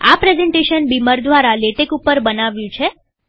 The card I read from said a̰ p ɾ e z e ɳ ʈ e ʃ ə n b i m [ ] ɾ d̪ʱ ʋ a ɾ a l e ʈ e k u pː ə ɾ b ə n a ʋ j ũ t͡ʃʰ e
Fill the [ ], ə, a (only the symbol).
ə